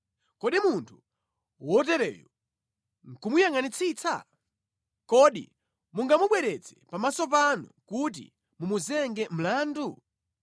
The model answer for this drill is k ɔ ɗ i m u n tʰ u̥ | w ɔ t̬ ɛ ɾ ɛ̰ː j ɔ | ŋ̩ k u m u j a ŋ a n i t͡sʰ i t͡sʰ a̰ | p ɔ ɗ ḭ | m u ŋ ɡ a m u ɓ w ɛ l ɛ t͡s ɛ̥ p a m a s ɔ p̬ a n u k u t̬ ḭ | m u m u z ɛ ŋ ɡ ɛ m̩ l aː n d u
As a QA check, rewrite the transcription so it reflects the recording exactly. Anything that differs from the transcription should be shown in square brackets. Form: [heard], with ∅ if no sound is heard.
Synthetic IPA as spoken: k ɔ ɗ i m u n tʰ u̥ | w ɔ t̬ ɛ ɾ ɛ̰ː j ɔ | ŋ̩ k u m u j a ŋ a n i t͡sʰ i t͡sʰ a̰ | [k] ɔ ɗ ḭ | m u ŋ ɡ a m u ɓ w ɛ [ɾ] ɛ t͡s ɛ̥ p a m a s ɔ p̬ a n u k u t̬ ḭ | m u m u z ɛ ŋ ɡ ɛ m̩ l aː n d u